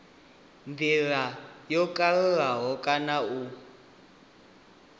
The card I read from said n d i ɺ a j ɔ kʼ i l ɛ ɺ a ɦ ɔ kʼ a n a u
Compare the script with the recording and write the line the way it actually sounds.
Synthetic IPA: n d i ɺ a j ɔ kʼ a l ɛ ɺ a ɦ ɔ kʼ a n a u